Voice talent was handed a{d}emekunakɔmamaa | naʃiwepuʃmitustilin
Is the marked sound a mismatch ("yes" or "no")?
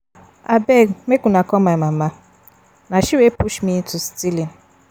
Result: yes